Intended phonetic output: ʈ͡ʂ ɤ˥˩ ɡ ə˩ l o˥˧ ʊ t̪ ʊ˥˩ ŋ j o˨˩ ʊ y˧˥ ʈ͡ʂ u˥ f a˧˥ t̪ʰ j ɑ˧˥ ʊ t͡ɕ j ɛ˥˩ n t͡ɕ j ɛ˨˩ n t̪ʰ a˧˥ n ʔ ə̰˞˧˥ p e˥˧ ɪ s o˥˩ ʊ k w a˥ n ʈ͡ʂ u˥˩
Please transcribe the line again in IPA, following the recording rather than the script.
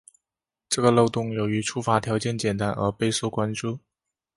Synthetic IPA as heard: ʈ͡ʂ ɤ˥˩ ɡ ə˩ l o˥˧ ʊ t̪ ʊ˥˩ ŋ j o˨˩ ʊ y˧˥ ʈ͡ʂʰ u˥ f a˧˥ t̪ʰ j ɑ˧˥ ʊ t͡ɕ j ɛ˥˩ n t͡ɕ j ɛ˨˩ n t̪ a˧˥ n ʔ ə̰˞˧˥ p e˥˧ ɪ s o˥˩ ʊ k w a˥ n ʈ͡ʂ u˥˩

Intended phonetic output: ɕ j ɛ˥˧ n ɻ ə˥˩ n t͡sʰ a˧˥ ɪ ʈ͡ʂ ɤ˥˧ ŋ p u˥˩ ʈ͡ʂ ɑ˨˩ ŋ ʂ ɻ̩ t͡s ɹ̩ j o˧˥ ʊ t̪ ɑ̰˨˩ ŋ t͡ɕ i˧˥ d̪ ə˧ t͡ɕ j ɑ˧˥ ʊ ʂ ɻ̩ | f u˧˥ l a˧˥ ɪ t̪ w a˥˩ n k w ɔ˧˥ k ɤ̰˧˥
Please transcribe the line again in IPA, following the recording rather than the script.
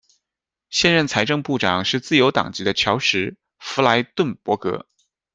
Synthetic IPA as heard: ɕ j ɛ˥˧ n ɻ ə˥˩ n t͡sʰ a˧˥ ɪ ʈ͡ʂ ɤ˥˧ ŋ p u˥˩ ʈ͡ʂ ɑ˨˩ ŋ ʂ ɻ̩ t͡s ɹ̩ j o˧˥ ʊ t̪ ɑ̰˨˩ ŋ t͡ɕ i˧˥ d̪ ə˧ t͡ɕʰ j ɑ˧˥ ʊ ʂ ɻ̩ | f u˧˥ l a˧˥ ɪ t̪ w ə˥˩ n p w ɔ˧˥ k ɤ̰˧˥

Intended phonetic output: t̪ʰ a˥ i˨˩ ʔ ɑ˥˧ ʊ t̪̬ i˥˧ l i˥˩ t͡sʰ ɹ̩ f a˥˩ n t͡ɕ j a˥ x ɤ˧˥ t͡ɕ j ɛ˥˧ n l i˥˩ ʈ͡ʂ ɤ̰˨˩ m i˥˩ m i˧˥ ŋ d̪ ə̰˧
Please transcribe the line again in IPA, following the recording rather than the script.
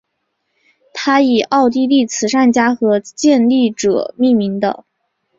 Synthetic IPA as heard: t̪ʰ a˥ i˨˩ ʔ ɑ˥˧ ʊ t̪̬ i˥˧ l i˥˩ t͡sʰ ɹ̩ ʂ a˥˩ n t͡ɕ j a˥ x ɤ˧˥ t͡ɕ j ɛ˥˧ n l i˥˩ ʈ͡ʂ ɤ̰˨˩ m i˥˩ m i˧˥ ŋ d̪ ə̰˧

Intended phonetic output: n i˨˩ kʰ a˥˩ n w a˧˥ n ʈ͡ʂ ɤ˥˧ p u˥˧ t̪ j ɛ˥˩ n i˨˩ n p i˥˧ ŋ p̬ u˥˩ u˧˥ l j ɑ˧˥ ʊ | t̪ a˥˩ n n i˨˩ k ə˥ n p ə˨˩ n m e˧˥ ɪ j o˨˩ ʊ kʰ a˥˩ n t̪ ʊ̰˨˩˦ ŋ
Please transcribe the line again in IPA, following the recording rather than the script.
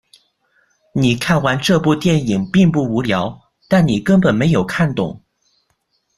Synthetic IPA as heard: n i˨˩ kʰ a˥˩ n w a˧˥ n ʈ͡ʂ ɤ˥˧ p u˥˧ t̪ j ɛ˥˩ n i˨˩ ŋ p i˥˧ ŋ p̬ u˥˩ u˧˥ l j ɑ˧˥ ʊ | t̪ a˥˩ n n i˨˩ k ə˥ n p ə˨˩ n m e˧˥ ɪ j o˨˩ ʊ kʰ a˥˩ n t̪ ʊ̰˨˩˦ ŋ

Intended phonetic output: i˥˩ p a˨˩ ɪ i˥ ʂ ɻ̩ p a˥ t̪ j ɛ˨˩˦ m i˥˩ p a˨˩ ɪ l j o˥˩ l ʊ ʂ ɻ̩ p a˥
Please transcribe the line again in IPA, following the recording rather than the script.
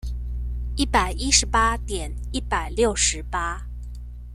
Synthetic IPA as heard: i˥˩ p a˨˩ ɪ i˥ ʂ ɻ̩ p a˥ t̪ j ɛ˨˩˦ n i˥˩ p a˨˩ ɪ l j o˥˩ ʊ ʂ ɻ̩ p a˥

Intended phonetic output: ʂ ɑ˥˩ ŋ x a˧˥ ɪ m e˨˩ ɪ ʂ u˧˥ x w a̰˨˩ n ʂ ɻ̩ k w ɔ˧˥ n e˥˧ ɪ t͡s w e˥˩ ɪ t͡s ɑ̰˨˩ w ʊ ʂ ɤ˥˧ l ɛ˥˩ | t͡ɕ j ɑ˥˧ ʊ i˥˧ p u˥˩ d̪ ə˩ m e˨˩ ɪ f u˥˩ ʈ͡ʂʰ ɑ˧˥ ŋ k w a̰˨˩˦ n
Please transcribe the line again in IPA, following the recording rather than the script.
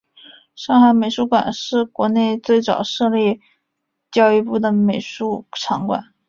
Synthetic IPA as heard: ʂ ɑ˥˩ ŋ x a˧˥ ɪ m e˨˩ ɪ ʂ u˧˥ k w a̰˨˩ n ʂ ɻ̩ k w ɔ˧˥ n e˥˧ ɪ t͡s w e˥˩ ɪ t͡s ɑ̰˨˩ ʊ ʂ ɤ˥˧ l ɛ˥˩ | t͡ɕ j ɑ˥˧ ʊ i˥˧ p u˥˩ d̪ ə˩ m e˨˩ ɪ ʂ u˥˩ ʈ͡ʂʰ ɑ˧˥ ŋ k w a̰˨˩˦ n

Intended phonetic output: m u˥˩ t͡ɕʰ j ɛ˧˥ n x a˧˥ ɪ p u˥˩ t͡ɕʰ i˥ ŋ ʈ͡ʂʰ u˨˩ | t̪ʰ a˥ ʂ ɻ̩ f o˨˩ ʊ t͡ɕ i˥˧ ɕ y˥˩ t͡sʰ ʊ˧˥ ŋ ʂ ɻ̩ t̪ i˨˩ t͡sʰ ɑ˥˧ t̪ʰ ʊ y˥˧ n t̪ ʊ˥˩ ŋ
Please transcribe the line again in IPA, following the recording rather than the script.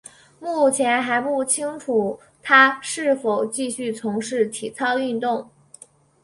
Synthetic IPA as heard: m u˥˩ t͡ɕʰ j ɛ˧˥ n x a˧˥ ɪ p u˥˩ t͡ɕʰ i˥ ŋ ʈ͡ʂʰ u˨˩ | t̪ʰ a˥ ʂ ɻ̩ f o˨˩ ʊ t͡ɕ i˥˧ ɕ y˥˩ t͡sʰ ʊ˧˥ ŋ ʂ ɻ̩ t̪ʰ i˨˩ t͡sʰ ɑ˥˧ ʊ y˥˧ n t̪ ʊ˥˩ ŋ

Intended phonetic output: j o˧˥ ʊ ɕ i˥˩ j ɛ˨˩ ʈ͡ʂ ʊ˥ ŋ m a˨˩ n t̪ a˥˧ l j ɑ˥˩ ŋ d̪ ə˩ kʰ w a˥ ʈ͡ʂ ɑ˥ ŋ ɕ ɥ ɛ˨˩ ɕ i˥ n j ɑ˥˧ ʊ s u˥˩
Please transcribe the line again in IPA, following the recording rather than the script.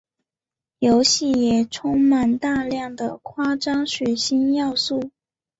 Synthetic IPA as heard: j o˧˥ ʊ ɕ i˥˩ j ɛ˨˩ ʈ͡ʂʰ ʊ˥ ŋ m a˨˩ n t̪ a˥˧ l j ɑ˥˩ ŋ d̪ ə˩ kʰ w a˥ ʈ͡ʂ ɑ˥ ŋ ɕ ɥ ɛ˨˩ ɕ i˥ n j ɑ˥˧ ʊ s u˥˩

